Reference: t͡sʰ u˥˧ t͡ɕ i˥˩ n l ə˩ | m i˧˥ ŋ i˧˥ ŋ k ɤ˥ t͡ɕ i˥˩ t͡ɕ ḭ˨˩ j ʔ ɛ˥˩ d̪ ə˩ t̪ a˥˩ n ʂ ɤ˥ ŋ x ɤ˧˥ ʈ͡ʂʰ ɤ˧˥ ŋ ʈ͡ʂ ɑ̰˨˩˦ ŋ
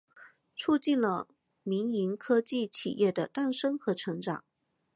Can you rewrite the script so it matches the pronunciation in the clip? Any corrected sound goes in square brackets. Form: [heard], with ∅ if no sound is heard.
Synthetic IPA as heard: t͡sʰ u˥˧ t͡ɕ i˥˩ n l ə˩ | m i˧˥ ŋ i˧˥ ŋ [kʰ] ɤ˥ t͡ɕ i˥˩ [t͡ɕʰ] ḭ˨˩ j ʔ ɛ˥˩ d̪ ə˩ t̪ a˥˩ n ʂ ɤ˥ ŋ x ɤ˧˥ ʈ͡ʂʰ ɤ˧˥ ŋ ʈ͡ʂ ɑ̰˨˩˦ ŋ